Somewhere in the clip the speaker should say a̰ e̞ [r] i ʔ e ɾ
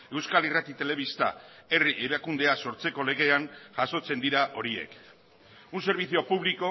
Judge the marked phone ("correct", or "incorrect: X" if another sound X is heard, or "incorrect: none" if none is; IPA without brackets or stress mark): correct